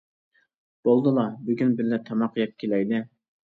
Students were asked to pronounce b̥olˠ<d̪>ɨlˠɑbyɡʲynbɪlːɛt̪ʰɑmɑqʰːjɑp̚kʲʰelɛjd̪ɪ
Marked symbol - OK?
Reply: yes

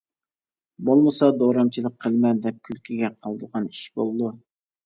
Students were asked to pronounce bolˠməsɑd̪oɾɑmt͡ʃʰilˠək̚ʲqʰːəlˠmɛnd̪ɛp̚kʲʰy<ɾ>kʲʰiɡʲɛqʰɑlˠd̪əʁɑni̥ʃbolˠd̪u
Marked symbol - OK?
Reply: no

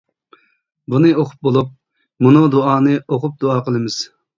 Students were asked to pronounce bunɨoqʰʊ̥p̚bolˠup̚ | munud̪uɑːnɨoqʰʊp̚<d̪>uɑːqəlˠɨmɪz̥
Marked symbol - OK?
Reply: yes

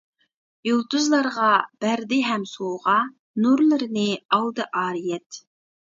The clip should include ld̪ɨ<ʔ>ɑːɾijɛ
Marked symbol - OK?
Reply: yes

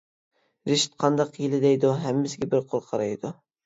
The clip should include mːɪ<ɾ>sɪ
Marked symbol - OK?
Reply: no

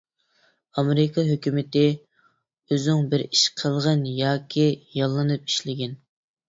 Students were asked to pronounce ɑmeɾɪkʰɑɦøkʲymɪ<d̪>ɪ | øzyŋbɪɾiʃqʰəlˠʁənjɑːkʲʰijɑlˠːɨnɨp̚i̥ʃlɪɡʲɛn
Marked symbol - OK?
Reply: no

